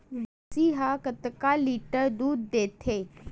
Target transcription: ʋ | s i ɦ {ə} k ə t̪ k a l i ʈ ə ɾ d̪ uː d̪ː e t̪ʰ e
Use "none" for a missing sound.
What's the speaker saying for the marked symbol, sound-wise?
a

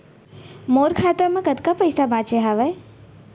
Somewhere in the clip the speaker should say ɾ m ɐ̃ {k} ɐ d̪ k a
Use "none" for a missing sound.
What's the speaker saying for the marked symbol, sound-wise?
k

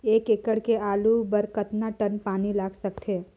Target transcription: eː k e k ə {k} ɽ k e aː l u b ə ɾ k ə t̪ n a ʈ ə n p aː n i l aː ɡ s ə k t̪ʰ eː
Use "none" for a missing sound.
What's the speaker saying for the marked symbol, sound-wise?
none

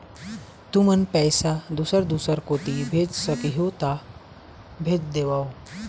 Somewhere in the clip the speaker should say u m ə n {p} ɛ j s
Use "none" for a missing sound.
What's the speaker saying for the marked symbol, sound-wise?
p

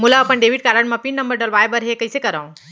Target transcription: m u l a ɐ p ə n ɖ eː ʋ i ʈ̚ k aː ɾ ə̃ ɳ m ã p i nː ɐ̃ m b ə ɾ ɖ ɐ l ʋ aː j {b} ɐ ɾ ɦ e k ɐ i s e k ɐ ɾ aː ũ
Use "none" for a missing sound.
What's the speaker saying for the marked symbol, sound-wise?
b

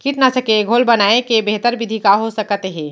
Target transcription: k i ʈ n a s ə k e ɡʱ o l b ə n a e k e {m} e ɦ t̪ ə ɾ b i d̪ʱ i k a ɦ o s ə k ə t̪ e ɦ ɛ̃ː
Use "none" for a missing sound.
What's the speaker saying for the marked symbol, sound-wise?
b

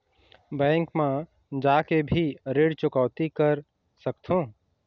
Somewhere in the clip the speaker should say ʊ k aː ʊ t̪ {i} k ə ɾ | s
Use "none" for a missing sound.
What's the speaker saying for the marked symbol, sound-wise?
i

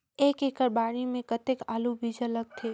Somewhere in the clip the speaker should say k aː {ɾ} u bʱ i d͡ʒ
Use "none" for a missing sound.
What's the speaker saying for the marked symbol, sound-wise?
l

